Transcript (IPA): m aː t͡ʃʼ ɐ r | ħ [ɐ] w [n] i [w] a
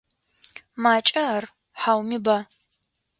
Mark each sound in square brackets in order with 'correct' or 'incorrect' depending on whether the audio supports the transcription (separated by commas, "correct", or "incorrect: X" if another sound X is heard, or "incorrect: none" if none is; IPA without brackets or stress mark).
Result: incorrect: a, incorrect: m, incorrect: b